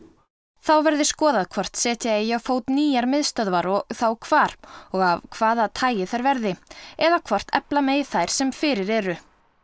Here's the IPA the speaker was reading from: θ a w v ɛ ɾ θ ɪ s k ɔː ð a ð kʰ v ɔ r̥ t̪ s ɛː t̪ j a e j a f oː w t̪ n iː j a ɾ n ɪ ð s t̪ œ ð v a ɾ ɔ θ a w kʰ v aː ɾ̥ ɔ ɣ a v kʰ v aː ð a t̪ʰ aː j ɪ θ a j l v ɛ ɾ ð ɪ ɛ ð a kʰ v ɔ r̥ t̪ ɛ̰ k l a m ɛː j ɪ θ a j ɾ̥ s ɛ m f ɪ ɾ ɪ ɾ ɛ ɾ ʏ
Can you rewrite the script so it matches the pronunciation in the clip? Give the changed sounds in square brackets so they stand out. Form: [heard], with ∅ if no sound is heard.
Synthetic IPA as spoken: θ a w v ɛ ɾ [ð] ɪ s k ɔː ð a ð kʰ v ɔ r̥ t̪ s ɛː t̪ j a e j a f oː w t̪ n iː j a ɾ [m] ɪ ð s t̪ œ ð v a ɾ ɔ θ a w kʰ v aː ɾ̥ ɔ ɣ a v kʰ v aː ð a t̪ʰ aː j ɪ θ a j [ɾ] v ɛ ɾ ð ɪ ɛ ð a kʰ v ɔ r̥ t̪ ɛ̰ [p] l a m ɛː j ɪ θ a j ɾ̥ s ɛ m f ɪ ɾ ɪ ɾ ɛ ɾ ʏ

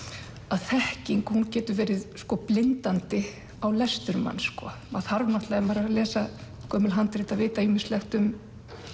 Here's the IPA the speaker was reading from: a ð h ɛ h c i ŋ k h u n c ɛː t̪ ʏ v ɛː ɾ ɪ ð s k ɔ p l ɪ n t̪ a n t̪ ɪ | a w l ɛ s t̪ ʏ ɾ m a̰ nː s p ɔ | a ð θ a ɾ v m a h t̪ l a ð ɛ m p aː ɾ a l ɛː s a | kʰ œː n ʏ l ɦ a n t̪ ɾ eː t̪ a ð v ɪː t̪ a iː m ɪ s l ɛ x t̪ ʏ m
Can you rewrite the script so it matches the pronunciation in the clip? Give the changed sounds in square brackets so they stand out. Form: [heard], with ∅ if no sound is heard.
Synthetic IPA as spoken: a ð [θ] ɛ h c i ŋ k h u n c ɛː t̪ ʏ v ɛː ɾ ɪ ð s k ɔ p l ɪ n t̪ a n t̪ ɪ | a w l ɛ s t̪ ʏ ɾ m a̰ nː s [k] ɔ | a ð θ a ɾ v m a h t̪ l a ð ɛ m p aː ɾ a l ɛː s a | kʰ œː [m] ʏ l ɦ a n t̪ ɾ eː t̪ a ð v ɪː t̪ a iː m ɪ s l ɛ x t̪ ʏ m

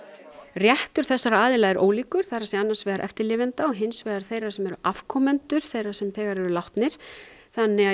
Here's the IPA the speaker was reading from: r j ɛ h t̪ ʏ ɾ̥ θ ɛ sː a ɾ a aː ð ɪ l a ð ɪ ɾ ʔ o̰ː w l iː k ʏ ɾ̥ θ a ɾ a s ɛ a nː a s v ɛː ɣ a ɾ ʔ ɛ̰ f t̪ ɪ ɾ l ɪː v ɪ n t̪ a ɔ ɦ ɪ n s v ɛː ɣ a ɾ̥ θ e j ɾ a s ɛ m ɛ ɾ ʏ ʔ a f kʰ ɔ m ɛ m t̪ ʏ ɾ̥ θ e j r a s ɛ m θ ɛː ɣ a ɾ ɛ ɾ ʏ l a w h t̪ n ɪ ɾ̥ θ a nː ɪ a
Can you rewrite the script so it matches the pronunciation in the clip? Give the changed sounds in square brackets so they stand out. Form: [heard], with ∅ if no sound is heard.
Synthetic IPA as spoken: r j ɛ h t̪ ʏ ɾ̥ θ ɛ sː a ɾ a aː ð ɪ l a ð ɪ ɾ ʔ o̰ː w l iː k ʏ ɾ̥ θ a ɾ a s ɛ a nː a s v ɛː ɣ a ɾ ʔ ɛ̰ f t̪ ɪ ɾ l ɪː v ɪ n t̪ a ɔ ɦ ɪ n s v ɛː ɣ a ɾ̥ θ e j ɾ a s ɛ m ɛ ɾ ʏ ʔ a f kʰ ɔ m ɛ [n] t̪ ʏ ɾ̥ θ e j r a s ɛ m θ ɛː ɣ a ɾ ɛ ɾ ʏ l a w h t̪ n ɪ ɾ̥ θ a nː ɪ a

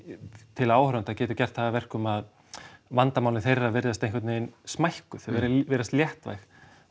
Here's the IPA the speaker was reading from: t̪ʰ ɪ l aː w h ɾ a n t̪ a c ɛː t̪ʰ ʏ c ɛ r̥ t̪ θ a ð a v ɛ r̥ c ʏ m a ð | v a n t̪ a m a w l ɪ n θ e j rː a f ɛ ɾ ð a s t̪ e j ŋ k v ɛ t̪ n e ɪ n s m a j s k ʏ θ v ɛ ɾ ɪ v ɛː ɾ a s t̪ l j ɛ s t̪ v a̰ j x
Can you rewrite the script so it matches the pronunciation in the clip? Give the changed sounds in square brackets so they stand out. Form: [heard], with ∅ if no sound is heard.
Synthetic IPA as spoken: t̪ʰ ɪ l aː w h ɾ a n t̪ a c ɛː [t̪] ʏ c ɛ r̥ t̪ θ a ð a v ɛ r̥ [k] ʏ m a ð | v a n t̪ a m a w l ɪ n θ e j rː a [v] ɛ ɾ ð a s t̪ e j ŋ k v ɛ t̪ n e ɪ n s m a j [h] k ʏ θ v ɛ ɾ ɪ v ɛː ɾ a s t̪ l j ɛ [h] t̪ v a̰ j x

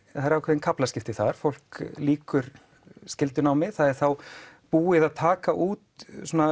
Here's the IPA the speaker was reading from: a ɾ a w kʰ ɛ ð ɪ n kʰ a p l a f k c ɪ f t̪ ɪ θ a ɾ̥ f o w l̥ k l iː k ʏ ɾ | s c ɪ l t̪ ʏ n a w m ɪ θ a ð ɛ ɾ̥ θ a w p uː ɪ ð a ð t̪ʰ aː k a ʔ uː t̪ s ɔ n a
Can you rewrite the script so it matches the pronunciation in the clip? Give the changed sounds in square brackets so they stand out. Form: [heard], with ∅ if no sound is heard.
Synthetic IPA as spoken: a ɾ a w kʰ ɛ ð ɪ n kʰ a p l a [s] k c ɪ f t̪ ɪ θ a ɾ̥ f o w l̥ k l iː k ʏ ɾ | s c ɪ l t̪ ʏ n a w m ɪ θ a ð ɛ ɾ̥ θ a w p uː ɪ ð a ð t̪ʰ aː k a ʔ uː t̪ s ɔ n a

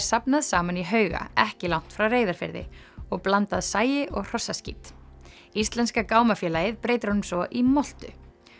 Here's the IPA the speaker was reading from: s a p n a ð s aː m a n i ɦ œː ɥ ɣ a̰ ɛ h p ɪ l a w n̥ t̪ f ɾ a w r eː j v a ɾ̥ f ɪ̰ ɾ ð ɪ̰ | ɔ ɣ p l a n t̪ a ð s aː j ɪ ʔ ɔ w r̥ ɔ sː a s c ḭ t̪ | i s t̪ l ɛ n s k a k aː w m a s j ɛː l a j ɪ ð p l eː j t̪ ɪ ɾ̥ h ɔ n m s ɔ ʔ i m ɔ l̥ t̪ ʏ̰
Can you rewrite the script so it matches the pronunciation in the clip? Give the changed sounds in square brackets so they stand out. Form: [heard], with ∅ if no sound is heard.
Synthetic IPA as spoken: s a p n a ð s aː m a n i ɦ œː ɥ ɣ a̰ ɛ h [c] ɪ l a w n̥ t̪ f ɾ a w r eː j [ð] a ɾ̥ f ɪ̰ ɾ ð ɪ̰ | ɔ ɣ p l a n t̪ a ð s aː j ɪ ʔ ɔ [ɣ] r̥ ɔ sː a s c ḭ t̪ | i s t̪ l ɛ n s k a k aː w m a [f] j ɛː l a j ɪ ð p [ɾ] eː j t̪ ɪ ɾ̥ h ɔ n m s ɔ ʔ i m ɔ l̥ t̪ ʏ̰

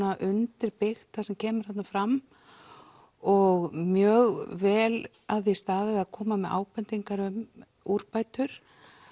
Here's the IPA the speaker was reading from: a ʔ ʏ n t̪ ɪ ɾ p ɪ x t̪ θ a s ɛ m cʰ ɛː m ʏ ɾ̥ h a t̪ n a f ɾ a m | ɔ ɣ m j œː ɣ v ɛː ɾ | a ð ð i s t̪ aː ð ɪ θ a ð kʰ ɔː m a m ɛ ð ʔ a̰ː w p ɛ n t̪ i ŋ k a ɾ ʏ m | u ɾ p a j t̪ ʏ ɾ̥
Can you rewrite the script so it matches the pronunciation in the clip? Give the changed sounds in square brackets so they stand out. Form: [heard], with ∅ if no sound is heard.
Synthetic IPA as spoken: a ʔ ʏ n t̪ ɪ ɾ p ɪ x t̪ θ a s ɛ m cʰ ɛː m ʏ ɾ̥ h a t̪ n a f ɾ a m | ɔ ɣ m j œː ɣ v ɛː [l] | a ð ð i s t̪ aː ð ɪ [ð] a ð kʰ ɔː m a m ɛ ð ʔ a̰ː w p ɛ n t̪ i ŋ k a ɾ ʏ m | u ɾ p a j t̪ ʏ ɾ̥

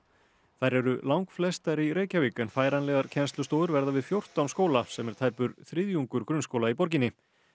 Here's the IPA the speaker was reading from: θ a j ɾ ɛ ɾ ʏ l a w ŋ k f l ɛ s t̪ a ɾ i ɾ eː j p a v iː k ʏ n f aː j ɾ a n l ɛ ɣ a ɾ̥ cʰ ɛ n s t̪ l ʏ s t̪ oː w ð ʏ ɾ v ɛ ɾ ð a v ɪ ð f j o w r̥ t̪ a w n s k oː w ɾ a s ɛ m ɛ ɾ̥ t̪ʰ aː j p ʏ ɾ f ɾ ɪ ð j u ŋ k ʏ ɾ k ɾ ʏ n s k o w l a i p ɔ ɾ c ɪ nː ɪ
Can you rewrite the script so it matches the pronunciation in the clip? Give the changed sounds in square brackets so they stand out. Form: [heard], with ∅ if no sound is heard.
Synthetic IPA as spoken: θ a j ɾ ɛ ɾ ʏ l a w ŋ k f l ɛ s t̪ a ɾ i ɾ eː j [c] a v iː k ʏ n f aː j ɾ a n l ɛ ɣ a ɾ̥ cʰ ɛ n s t̪ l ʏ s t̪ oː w ð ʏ ɾ v ɛ ɾ ð a v ɪ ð f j o w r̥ t̪ a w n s k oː w [l] a s ɛ m ɛ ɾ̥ t̪ʰ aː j p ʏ ɾ [θ] ɾ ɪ ð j u ŋ k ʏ ɾ k ɾ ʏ n s k o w l a i p ɔ ɾ c ɪ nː ɪ

